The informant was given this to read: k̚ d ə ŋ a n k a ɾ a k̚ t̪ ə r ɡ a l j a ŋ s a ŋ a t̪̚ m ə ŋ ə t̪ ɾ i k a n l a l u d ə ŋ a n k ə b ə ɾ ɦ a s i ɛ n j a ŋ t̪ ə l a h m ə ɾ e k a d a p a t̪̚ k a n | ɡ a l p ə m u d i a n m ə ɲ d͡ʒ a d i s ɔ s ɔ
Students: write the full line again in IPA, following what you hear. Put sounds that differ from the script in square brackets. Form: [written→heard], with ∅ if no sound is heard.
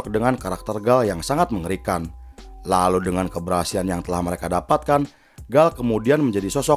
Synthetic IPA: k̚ d ə ŋ a n k a ɾ a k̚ t̪ ə r ɡ a l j a ŋ s a ŋ a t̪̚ m ə ŋ ə [t̪→∅] ɾ i k a n l a l u d ə ŋ a n k ə b ə ɾ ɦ a s i [ɛ→a] n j a ŋ t̪ ə l a h m ə ɾ e k a d a p a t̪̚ k a n | ɡ a l [p→k] ə m u d i a n m ə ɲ d͡ʒ a d i s ɔ s ɔ